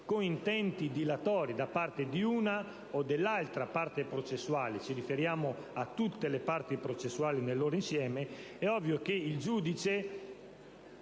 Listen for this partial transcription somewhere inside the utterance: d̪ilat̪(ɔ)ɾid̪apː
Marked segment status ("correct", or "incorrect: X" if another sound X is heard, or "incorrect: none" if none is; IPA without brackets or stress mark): incorrect: ɔː